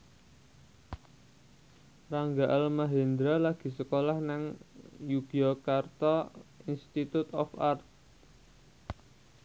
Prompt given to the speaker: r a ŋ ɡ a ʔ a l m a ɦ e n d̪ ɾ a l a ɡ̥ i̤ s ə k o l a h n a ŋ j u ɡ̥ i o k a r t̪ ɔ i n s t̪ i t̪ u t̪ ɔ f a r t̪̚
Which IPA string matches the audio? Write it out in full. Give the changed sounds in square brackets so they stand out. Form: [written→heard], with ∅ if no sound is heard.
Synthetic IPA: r a ŋ ɡ a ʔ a l m a ɦ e n d̪ ɾ a l a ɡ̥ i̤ s ə k o l a h n a ŋ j u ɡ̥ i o k a r t̪ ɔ i n s t̪ i t̪ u t̪ ɔ f a r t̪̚